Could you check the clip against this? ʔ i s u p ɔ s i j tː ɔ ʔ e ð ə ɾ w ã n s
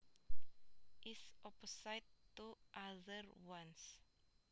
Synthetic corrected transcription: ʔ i s ɔ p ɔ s a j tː u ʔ a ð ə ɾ w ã n s